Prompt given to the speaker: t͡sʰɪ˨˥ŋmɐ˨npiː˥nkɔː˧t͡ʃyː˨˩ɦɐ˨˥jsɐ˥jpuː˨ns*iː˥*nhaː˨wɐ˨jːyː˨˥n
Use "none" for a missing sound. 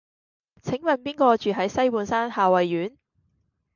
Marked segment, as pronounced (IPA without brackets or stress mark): aː˥